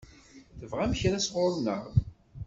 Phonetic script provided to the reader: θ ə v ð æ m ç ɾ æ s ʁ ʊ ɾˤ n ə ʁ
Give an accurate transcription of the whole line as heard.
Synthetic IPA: θ ə v ʁ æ m ç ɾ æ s ʁ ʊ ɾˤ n ə ʁ

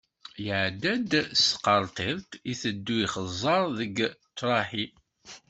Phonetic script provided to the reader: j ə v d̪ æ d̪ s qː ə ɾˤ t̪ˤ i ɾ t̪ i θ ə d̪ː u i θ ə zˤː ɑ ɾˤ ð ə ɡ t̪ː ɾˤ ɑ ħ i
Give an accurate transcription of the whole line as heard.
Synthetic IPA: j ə ʕ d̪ æ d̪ s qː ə ɾˤ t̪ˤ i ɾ t̪ i θ ə d̪ː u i χ ə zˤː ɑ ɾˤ ð ə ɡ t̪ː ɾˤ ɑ ħ i

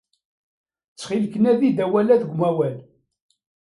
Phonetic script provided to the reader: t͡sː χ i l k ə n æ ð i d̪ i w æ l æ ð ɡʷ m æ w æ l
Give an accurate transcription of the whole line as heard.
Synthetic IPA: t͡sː χ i l k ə n æ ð i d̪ æ w æ l æ ð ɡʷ m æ w æ l

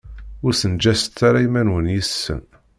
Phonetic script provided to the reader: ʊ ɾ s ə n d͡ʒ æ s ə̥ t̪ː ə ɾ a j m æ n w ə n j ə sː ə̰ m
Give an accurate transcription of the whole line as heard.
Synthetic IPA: ʊ ɾ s ə n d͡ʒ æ s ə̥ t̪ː a ɾ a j m æ n w ə n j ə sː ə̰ n

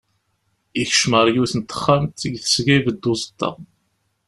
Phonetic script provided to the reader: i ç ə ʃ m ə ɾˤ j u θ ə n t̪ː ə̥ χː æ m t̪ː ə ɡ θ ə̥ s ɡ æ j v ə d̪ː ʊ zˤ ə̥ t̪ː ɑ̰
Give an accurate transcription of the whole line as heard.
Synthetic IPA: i ç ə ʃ m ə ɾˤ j u θ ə n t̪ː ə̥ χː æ m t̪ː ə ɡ θ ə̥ s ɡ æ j v ə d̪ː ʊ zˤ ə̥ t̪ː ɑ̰

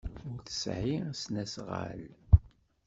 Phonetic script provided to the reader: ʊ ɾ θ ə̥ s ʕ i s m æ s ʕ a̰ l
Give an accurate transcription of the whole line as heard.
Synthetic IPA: ʊ ɾ θ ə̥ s ʕ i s n æ s ʁ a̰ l

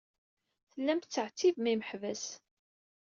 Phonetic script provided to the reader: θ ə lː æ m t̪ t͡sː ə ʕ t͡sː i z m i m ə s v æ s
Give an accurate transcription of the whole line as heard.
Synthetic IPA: θ ə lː æ m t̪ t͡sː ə ʕ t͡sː i v m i m ə ħ v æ s

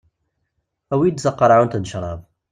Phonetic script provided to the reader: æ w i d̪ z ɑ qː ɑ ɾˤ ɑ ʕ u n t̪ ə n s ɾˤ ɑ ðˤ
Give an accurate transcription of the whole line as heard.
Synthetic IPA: æ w i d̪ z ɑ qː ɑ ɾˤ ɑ ʕ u n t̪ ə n ʃ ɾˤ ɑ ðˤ

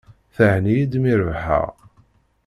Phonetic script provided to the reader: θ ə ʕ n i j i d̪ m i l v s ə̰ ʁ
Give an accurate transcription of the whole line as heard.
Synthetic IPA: θ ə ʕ n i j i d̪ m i ɾ v ħ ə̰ ʁ

